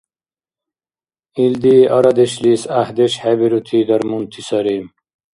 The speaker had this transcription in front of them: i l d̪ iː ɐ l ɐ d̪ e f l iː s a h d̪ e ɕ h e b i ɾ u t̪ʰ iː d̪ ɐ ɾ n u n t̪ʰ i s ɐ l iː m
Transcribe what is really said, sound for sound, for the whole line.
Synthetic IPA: i l d̪ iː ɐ ɾ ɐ d̪ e ɕ l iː s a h d̪ e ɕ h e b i ɾ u t̪ʰ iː d̪ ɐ ɾ m u n t̪ʰ i s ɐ ɾ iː m